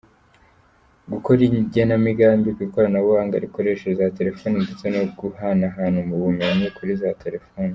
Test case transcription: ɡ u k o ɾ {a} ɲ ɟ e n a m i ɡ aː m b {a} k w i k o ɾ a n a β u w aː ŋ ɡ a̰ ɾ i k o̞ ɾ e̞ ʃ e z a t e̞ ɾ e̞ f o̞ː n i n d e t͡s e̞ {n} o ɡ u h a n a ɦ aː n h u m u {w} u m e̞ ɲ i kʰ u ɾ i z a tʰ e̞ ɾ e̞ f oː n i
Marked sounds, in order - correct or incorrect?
incorrect: i, incorrect: i, correct, incorrect: β

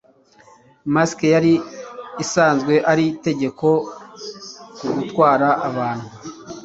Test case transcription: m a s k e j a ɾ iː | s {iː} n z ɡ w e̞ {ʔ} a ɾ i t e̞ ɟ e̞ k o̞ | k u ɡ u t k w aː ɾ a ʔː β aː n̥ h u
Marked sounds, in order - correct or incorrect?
incorrect: aː, correct

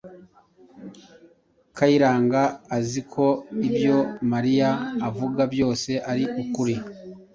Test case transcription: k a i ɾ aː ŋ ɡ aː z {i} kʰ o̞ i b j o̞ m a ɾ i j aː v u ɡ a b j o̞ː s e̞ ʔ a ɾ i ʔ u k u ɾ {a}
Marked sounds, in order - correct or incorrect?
correct, incorrect: i

